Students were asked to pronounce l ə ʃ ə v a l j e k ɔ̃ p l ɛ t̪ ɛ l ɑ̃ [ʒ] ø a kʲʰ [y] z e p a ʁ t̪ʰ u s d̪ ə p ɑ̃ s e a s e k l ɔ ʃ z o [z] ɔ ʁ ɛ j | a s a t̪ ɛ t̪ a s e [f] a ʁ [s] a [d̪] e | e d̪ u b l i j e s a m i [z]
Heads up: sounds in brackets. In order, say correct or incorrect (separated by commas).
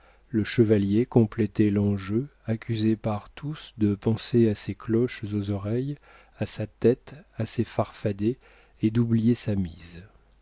correct, correct, correct, correct, incorrect, correct, correct